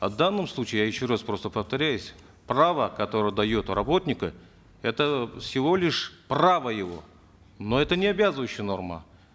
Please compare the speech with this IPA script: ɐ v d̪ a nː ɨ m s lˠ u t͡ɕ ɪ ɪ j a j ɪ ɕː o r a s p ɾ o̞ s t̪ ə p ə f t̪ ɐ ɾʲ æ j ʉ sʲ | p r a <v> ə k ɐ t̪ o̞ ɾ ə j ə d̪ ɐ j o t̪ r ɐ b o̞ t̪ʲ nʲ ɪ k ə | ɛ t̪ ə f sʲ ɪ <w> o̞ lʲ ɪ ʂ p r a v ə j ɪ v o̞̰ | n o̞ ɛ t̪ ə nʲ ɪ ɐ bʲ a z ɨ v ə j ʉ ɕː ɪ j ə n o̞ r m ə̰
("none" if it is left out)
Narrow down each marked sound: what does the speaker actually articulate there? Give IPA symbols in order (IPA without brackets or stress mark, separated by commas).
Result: v, v